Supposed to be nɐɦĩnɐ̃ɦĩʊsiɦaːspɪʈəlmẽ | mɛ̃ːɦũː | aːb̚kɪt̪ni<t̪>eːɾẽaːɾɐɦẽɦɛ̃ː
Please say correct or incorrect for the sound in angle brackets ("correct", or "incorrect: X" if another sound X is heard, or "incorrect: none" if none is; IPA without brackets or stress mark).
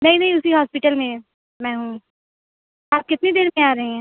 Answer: incorrect: d̪